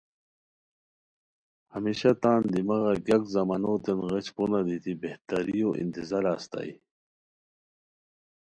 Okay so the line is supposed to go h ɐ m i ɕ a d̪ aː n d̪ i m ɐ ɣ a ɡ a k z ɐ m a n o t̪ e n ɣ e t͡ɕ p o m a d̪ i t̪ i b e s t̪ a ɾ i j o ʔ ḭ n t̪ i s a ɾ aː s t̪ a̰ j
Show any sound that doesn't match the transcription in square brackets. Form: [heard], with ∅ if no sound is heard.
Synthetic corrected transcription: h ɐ m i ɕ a [t̪] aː n d̪ i m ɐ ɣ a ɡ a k z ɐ m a n o t̪ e n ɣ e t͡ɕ p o [n] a d̪ i t̪ i b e [h] t̪ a ɾ i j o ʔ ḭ n t̪ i [z] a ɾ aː s t̪ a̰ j